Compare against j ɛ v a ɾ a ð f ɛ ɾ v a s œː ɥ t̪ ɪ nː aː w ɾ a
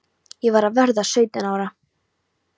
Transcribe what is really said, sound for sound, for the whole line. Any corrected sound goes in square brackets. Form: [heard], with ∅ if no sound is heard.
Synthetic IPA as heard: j ɛ v a ɾ a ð [v] ɛ ɾ [ð] a s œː ɥ t̪ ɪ [n] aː w ɾ a